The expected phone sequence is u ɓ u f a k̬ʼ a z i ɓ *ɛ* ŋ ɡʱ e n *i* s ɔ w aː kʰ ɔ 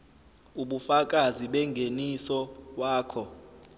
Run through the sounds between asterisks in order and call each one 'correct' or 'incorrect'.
correct, correct

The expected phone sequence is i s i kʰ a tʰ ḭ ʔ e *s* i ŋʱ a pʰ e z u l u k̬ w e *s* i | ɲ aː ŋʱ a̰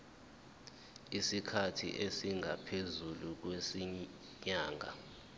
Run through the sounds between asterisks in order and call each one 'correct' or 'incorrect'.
correct, correct

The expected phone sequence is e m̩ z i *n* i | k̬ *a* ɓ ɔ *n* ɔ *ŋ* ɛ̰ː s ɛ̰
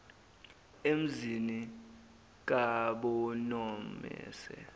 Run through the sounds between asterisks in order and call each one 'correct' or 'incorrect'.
correct, correct, correct, incorrect: m

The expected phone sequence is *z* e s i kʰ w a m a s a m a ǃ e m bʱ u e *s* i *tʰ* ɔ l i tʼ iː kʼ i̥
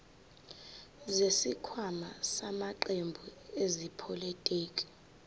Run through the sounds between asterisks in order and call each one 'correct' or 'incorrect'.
correct, incorrect: z, incorrect: pʰ

